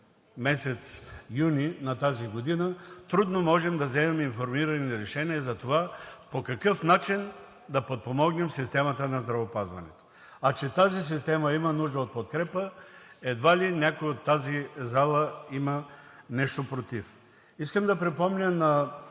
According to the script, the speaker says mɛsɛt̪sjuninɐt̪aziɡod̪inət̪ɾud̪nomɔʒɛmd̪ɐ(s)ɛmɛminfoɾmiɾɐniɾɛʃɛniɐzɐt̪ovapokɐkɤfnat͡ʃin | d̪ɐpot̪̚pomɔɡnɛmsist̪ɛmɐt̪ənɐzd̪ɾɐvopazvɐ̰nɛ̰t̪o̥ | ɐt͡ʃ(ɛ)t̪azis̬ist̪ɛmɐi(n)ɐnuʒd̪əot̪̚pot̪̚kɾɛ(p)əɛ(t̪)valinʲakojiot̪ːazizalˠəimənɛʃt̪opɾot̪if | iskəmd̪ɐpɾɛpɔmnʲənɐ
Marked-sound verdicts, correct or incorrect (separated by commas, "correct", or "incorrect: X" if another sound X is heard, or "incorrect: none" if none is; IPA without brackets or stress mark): incorrect: z, correct, incorrect: m, correct, incorrect: d̪